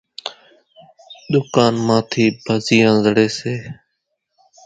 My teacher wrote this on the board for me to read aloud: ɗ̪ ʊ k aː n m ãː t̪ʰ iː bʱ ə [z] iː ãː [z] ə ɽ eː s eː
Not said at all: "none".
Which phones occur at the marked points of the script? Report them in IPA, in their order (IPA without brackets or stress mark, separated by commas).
z, z